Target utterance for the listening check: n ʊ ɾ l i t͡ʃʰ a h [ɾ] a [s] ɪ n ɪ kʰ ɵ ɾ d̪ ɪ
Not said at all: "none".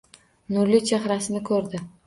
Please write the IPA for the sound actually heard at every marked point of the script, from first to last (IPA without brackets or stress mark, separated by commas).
ɾ, s